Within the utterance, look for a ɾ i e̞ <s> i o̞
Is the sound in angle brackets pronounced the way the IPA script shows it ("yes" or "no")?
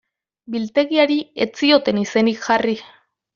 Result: no